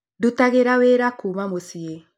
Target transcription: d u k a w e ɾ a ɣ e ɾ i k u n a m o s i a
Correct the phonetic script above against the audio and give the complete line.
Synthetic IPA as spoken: d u t a ɣ e ɾ a w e ɾ a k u m a m o s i e